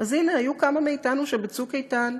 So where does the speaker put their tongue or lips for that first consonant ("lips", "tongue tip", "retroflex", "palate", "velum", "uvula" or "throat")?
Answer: tongue tip